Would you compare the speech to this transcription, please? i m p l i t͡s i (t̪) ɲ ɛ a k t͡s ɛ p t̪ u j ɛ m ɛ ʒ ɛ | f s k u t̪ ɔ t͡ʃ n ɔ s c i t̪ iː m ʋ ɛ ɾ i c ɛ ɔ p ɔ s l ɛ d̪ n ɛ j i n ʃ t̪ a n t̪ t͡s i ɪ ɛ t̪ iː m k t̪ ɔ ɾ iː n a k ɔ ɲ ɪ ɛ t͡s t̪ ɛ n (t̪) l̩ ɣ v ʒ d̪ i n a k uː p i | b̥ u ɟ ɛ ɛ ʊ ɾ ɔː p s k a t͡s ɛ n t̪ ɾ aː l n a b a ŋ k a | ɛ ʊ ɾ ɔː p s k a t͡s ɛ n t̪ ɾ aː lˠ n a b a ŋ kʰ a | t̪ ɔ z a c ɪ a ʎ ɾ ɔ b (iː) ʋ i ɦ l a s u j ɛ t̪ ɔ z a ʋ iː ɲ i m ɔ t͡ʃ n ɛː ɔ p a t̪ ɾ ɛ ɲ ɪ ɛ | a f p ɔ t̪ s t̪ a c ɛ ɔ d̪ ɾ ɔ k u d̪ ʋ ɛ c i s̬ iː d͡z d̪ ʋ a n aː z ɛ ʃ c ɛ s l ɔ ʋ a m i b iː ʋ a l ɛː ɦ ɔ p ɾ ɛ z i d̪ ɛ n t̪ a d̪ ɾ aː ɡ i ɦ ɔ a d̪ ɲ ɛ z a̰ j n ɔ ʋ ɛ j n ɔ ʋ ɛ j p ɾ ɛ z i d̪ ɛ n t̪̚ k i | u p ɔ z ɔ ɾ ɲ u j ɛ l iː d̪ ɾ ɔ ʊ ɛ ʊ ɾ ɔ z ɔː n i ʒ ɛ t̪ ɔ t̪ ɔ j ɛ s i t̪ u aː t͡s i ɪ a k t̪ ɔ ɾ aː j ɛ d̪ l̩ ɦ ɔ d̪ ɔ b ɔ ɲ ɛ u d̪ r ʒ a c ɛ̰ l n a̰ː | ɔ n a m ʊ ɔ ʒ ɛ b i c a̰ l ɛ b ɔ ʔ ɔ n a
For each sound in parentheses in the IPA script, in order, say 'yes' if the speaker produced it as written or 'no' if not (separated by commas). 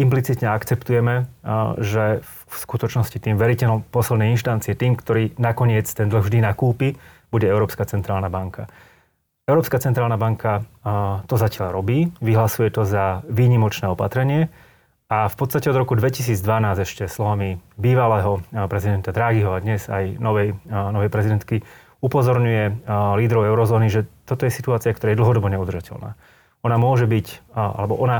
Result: yes, no, yes